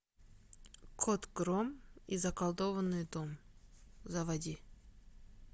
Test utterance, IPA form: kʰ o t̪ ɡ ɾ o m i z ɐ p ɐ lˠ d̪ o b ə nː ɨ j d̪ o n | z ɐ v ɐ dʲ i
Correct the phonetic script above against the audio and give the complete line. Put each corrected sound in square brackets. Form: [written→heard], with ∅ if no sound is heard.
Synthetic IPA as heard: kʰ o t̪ ɡ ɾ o m i z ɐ [p→k] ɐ lˠ d̪ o [b→v] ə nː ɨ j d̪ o [n→m] | z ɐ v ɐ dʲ i

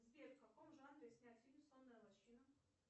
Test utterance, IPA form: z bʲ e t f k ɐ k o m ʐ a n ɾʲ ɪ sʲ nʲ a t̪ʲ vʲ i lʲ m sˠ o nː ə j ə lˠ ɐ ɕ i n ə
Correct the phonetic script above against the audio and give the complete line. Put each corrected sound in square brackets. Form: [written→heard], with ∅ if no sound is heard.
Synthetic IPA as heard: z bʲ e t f k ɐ k o m ʐ a n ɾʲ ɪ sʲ nʲ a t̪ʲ [vʲ→fʲ] i lʲ m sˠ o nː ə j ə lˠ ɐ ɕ i n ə

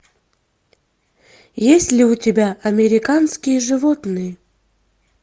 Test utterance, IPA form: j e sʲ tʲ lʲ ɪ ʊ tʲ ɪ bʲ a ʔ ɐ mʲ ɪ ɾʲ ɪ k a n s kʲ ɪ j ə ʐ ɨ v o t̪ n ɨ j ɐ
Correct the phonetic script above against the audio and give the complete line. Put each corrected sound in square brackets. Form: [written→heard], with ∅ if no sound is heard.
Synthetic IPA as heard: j e sʲ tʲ lʲ ɪ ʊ tʲ ɪ bʲ a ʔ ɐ mʲ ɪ ɾʲ ɪ k a n s kʲ ɪ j ə ʐ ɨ v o t̪ n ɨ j [ɐ→ə]

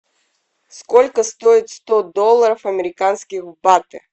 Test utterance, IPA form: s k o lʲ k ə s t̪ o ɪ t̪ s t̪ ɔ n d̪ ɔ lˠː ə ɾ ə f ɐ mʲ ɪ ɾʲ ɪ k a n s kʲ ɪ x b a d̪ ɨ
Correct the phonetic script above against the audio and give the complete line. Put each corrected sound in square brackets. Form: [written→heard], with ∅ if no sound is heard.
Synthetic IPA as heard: s k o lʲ k ə s t̪ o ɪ t̪ s t̪ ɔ [n→∅] d̪ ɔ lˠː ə ɾ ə f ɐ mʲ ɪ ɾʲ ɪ k a n s kʲ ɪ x b a [d̪→t̪] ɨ

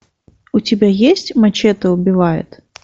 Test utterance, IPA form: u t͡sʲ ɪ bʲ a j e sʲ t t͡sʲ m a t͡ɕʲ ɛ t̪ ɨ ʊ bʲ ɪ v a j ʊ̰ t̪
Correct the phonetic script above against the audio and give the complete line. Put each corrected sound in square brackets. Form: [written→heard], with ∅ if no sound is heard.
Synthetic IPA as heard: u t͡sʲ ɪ bʲ a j e sʲ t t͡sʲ m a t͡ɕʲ ɛ t̪ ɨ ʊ bʲ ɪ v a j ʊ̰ t̪

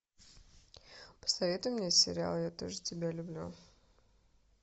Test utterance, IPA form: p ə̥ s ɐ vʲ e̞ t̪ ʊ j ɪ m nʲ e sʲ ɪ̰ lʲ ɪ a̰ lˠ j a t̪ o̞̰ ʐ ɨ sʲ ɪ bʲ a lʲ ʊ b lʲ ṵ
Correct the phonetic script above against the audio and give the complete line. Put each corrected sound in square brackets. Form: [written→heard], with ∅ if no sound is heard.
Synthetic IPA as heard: p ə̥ s ɐ vʲ e̞ t̪ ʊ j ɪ m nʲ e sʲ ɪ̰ [lʲ→ɾʲ] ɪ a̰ lˠ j a t̪ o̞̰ ʐ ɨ [sʲ→tʲ] ɪ bʲ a lʲ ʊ b lʲ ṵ

